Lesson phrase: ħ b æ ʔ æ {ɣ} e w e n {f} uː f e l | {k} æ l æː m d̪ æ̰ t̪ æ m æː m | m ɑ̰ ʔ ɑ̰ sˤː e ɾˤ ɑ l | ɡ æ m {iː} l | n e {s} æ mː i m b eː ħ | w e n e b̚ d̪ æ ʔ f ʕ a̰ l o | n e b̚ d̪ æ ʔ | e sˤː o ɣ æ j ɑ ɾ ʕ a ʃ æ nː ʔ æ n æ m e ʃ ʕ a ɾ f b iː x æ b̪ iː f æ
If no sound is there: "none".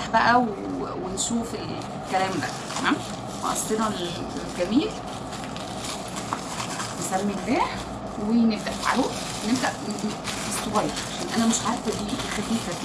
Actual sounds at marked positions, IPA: w, ʃ, k, iː, s

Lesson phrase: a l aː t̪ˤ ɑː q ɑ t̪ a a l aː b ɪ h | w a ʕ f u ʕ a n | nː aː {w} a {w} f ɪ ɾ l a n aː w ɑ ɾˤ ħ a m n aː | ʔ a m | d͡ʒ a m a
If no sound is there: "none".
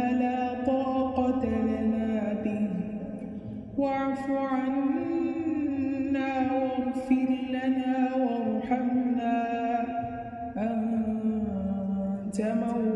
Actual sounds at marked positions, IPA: w, ɣ

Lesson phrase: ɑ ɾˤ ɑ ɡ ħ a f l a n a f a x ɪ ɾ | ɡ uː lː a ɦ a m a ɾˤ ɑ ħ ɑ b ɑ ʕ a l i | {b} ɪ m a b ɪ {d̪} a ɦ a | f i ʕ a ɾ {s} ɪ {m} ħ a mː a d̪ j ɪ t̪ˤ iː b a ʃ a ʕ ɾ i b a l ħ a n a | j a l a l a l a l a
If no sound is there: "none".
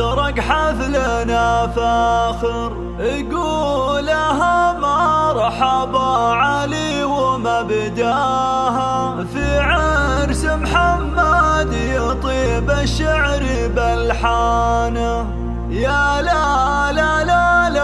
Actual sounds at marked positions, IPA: w, d̪, s, m

